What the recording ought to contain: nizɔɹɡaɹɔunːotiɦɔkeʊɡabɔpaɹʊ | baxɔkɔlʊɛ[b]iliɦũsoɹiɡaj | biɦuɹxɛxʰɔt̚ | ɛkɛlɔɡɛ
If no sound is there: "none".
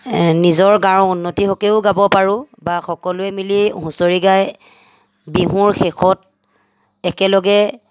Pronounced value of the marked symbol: m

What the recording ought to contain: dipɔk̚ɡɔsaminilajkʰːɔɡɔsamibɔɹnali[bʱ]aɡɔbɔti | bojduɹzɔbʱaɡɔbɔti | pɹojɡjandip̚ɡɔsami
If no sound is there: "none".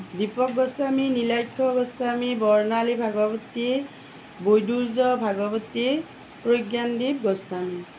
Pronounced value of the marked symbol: bʱ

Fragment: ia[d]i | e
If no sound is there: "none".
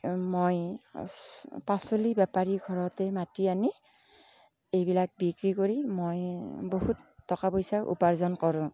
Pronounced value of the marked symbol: n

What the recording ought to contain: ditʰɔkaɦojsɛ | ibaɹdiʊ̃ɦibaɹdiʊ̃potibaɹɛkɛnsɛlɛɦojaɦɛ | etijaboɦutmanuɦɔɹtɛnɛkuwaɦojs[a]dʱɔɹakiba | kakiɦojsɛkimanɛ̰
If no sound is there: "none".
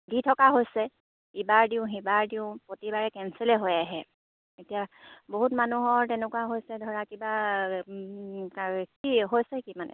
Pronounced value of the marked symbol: ɛ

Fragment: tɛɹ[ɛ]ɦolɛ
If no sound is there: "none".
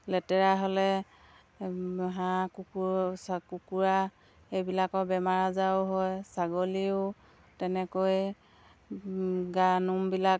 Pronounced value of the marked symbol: a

